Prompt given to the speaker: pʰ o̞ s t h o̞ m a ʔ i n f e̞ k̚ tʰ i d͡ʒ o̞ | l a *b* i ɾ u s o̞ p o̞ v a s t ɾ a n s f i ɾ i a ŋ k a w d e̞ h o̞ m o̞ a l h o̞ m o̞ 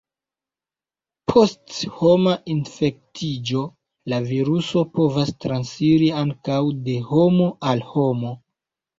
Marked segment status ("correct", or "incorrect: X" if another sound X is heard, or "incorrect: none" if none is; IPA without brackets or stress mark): incorrect: v